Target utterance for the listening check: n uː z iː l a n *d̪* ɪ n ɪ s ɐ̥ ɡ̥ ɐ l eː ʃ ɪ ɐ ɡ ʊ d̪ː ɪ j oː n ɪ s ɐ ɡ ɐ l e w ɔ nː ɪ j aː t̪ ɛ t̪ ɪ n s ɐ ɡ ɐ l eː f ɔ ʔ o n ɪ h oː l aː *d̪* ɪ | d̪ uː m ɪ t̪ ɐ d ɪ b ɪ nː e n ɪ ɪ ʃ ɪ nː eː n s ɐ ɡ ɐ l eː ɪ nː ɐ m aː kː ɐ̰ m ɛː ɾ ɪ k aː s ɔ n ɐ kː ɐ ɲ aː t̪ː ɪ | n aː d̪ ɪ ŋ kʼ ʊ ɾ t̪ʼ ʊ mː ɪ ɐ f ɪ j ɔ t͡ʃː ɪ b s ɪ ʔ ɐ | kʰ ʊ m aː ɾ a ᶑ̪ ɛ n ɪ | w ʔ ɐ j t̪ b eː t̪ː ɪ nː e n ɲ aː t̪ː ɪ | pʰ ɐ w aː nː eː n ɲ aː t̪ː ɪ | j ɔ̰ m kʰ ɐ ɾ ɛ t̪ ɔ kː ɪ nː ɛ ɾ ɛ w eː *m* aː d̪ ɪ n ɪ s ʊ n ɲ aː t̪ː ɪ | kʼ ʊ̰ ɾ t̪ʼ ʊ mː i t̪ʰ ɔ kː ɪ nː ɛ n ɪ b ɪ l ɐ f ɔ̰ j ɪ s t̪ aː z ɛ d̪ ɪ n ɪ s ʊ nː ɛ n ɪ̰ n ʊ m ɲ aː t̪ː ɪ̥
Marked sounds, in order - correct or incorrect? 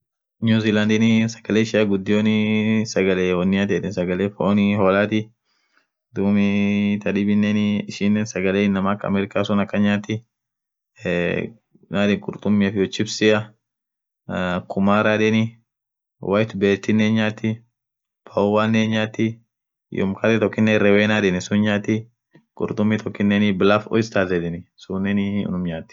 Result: correct, incorrect: t̪, incorrect: n

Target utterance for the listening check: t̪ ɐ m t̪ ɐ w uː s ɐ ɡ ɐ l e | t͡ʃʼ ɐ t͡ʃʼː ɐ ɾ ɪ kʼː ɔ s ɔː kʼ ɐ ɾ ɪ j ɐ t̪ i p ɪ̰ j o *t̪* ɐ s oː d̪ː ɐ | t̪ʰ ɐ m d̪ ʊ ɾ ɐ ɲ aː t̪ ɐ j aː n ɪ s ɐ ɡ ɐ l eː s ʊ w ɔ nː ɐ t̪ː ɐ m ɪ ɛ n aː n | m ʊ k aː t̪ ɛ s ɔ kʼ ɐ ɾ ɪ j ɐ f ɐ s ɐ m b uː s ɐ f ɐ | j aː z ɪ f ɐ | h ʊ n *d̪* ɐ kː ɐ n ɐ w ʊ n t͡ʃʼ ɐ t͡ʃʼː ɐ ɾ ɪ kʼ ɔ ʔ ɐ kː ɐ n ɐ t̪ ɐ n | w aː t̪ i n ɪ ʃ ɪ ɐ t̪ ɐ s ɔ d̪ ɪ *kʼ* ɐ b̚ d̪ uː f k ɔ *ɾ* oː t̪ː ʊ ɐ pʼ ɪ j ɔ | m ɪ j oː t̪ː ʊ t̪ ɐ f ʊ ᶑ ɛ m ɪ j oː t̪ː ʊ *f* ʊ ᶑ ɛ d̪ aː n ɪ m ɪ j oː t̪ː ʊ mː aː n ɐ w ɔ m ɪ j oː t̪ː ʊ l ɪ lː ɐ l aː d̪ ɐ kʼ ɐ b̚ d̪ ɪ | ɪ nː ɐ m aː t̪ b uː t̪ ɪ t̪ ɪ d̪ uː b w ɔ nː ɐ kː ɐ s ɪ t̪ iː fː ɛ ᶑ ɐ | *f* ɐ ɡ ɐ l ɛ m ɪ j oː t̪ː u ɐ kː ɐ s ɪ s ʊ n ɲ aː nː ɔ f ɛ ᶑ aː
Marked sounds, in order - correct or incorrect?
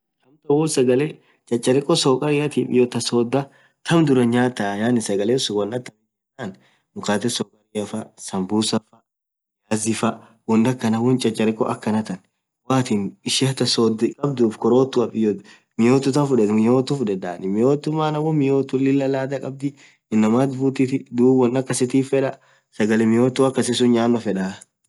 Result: correct, correct, correct, correct, correct, incorrect: s

